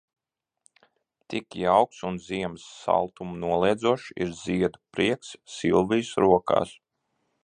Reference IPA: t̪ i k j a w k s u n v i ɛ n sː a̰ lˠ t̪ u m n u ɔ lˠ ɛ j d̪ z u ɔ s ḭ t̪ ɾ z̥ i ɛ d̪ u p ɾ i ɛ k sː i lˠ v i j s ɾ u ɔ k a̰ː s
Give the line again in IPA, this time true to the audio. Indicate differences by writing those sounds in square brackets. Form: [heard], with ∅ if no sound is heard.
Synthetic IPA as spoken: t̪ i k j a w k s u n [z] i ɛ [m] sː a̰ lˠ t̪ u m n u ɔ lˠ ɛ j d̪ z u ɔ [ʃ] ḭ [∅] ɾ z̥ i ɛ d̪ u p ɾ i ɛ k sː i lˠ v i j s ɾ u ɔ k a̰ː s